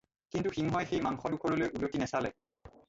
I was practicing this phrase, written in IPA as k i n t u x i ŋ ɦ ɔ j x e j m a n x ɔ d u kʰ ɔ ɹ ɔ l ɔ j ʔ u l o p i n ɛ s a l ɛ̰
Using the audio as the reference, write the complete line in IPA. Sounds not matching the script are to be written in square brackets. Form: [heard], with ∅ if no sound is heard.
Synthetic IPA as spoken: k i n t u x i ŋ ɦ ɔ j x e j m a [ŋ] x ɔ d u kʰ ɔ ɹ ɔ l [o] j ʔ u l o [t] i n ɛ s a l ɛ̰